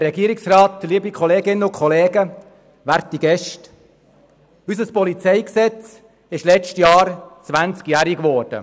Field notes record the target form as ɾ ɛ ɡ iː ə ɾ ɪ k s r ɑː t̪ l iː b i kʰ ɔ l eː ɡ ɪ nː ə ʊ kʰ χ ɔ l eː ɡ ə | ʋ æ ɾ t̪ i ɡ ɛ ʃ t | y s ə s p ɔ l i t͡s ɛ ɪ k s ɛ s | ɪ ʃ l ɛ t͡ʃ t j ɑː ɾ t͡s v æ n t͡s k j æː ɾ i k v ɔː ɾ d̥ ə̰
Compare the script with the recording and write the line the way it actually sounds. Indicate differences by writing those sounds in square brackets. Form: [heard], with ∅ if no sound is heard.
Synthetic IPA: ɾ ɛ ɡ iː ə ɾ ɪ k s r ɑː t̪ l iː b i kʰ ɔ l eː ɡ ɪ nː ə ʊ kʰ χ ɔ l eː ɡ ə | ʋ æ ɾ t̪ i ɡ ɛ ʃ t | y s ə s p ɔ l i t͡s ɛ ɪ k s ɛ [t͡s] | ɪ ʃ l ɛ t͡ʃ t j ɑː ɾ t͡s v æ n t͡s k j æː ɾ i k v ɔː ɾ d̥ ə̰